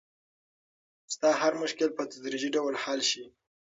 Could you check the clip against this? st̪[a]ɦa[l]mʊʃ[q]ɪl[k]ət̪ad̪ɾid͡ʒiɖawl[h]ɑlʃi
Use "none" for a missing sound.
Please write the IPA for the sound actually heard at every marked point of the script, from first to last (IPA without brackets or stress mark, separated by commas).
ɑ, ɾ, k, p, h